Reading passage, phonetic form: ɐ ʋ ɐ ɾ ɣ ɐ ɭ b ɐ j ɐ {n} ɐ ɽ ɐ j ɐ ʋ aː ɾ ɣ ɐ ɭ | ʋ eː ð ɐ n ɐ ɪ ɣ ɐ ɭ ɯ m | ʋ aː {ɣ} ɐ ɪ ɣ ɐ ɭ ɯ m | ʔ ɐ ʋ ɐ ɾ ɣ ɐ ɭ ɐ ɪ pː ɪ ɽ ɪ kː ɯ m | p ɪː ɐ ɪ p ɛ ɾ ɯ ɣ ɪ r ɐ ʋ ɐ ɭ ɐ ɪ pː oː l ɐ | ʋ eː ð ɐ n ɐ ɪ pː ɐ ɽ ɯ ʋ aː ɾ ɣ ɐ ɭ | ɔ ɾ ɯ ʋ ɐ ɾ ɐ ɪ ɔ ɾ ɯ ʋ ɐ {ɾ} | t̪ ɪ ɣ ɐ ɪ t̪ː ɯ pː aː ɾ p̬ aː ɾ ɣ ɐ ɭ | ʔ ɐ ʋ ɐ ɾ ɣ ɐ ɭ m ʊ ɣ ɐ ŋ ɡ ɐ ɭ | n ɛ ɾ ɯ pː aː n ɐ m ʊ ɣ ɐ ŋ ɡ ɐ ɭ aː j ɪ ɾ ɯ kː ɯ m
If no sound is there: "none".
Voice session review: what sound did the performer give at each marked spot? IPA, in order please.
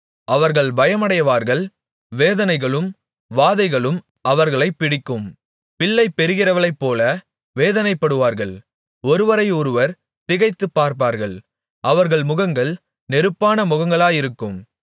m, ð, ɾ

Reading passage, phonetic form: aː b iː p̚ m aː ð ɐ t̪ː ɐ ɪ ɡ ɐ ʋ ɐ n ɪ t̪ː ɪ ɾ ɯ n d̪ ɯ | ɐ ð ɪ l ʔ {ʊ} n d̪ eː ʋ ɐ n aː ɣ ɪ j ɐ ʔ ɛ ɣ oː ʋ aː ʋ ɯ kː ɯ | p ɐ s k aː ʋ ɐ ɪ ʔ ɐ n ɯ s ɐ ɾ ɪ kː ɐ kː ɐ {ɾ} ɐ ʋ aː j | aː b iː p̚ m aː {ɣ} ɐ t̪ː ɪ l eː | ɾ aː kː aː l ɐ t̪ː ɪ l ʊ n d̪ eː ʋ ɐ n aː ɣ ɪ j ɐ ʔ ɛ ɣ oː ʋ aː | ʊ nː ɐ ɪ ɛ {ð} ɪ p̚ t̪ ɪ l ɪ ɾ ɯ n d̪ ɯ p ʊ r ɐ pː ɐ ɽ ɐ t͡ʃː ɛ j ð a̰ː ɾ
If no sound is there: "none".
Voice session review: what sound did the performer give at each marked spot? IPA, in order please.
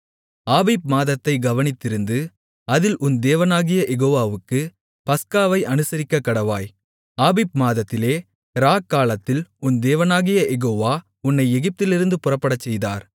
ʊ, ɽ, ð, ɣ

